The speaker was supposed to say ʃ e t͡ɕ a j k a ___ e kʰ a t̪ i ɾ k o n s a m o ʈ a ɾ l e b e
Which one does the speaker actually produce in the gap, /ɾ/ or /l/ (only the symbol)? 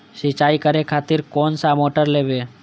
ɾ